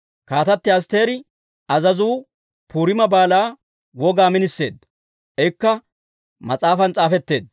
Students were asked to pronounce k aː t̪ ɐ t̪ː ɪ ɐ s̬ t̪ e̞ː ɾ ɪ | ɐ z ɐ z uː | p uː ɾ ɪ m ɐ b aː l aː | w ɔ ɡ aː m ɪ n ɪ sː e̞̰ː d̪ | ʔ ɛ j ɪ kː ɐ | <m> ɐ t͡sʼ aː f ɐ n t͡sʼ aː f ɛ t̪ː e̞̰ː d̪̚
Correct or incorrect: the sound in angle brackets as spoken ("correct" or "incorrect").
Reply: correct